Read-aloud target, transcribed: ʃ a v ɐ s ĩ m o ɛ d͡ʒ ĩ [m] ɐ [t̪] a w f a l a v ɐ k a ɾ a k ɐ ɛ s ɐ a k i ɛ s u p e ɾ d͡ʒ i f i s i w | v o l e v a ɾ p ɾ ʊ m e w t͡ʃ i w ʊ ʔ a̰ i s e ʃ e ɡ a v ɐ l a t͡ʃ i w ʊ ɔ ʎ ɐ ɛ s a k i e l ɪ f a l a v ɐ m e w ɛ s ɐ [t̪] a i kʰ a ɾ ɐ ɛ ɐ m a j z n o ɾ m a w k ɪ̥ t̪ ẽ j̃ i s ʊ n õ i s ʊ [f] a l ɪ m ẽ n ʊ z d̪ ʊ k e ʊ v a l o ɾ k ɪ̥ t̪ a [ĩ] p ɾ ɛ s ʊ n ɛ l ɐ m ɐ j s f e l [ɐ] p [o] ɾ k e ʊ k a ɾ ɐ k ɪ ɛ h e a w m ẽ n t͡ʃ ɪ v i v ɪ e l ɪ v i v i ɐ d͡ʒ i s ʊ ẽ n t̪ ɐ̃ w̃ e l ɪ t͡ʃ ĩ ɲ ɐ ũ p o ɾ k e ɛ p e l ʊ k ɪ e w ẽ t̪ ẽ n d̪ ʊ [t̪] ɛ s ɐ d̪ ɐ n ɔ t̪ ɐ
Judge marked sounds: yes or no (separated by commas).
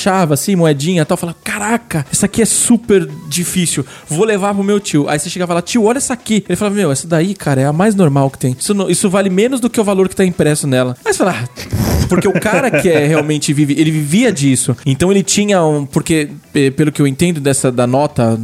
no, yes, no, no, yes, no, yes, no